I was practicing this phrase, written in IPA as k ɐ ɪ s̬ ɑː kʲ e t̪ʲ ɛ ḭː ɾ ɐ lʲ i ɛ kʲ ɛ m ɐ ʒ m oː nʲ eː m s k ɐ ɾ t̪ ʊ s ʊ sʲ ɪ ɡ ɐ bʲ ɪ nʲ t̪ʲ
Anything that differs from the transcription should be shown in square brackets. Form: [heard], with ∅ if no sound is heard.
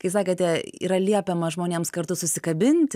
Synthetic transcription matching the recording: k ɐ ɪ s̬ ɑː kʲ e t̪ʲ ɛ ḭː ɾ ɐ lʲ i ɛ [pʲ] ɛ m ɐ ʒ m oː nʲ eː m s k ɐ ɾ t̪ ʊ s ʊ sʲ ɪ [k] ɐ bʲ ɪ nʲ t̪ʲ